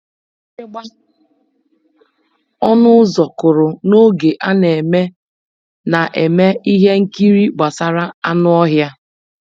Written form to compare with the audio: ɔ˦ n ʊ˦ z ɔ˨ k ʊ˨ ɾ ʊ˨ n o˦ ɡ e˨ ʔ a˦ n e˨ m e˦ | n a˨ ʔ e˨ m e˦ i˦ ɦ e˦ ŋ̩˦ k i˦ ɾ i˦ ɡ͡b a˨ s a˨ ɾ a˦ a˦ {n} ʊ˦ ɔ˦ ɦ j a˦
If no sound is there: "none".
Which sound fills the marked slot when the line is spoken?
n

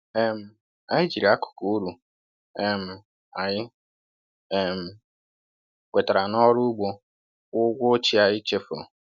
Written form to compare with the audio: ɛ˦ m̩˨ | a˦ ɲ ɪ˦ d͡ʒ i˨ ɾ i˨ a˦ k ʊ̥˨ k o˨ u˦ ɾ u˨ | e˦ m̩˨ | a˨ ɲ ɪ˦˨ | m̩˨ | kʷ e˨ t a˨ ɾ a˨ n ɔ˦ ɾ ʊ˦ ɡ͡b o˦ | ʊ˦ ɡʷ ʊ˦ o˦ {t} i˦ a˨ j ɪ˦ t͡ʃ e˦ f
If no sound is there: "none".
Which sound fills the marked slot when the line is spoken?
t͡ʃ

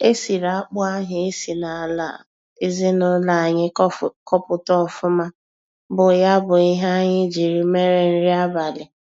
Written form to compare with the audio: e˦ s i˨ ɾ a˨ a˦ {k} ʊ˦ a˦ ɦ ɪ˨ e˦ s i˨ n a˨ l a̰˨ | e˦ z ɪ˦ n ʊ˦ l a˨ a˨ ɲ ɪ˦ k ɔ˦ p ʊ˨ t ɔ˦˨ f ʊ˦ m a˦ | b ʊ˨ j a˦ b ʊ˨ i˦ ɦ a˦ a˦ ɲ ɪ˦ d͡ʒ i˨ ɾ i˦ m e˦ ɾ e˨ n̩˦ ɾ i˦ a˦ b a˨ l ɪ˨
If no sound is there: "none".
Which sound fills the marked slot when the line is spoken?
k͡p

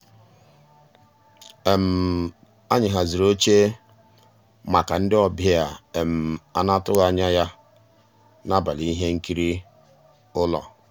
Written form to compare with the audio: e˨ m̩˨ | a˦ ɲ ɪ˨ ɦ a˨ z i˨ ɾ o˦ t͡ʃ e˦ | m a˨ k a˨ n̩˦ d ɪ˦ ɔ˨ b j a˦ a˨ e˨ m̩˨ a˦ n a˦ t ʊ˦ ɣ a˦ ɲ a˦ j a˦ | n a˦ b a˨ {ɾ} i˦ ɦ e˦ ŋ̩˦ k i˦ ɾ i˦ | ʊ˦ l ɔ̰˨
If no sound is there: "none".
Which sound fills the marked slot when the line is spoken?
l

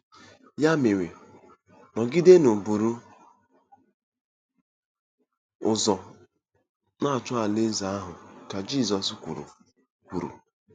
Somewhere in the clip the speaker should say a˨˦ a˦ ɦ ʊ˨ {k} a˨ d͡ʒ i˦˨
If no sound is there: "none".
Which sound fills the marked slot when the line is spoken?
k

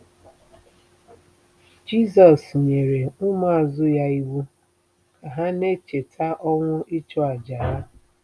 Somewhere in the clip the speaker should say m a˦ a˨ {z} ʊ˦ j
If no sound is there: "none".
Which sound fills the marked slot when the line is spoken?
z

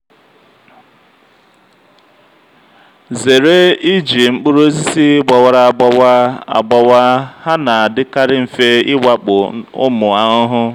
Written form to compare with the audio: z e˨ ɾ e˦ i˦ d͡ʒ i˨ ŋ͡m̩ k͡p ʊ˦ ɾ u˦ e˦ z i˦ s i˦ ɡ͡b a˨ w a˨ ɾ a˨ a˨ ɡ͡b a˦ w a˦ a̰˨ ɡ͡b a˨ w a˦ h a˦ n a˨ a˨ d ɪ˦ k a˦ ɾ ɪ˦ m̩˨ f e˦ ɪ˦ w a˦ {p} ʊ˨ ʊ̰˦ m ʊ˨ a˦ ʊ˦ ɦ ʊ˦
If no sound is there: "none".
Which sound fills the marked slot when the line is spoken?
k͡p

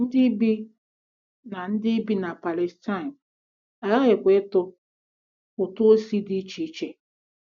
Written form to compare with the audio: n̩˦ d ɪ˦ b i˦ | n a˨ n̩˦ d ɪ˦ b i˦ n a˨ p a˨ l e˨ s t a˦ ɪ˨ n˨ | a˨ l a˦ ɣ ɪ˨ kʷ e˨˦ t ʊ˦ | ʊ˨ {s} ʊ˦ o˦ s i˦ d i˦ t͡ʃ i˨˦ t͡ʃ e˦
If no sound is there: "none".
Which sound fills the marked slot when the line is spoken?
t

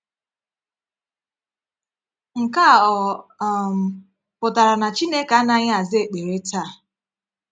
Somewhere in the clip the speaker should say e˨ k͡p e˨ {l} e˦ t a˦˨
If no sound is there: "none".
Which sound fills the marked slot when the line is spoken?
ɾ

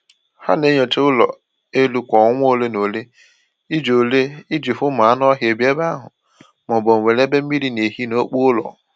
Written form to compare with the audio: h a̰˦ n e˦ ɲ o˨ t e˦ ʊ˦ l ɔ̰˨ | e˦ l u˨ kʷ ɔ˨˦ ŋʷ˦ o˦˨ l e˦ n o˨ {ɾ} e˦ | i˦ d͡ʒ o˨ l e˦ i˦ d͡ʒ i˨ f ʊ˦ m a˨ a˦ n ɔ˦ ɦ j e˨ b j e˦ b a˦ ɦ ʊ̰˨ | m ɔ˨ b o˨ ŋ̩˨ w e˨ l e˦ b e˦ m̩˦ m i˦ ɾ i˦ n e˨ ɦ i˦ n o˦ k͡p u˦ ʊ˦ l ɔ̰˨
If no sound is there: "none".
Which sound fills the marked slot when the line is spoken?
l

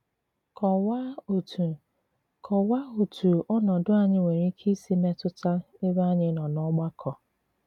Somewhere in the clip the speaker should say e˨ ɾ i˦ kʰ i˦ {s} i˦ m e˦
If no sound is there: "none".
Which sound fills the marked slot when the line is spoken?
s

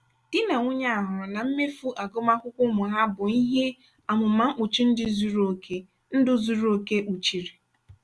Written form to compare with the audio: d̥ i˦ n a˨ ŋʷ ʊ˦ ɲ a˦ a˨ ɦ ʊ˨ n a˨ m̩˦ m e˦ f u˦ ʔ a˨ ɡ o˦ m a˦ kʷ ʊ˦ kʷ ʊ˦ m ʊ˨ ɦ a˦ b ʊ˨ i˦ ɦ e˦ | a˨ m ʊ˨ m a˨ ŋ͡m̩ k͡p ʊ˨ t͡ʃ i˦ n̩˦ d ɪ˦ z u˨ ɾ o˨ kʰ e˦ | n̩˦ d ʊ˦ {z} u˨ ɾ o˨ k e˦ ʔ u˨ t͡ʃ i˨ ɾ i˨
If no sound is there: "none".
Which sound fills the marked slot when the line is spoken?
z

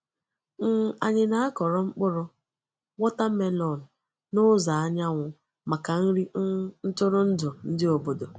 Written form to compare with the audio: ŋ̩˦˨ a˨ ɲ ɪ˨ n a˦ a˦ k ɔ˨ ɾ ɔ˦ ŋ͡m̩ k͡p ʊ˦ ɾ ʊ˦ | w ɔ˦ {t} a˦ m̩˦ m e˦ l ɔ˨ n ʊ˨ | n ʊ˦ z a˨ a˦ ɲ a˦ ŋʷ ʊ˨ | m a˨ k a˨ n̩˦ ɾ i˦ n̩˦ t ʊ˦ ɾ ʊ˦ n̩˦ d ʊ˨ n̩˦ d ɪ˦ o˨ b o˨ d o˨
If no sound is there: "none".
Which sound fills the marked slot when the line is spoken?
t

